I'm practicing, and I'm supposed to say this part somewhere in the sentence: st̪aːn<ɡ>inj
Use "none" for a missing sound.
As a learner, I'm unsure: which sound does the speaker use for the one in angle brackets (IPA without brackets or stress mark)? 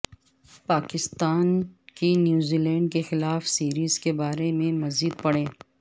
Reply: k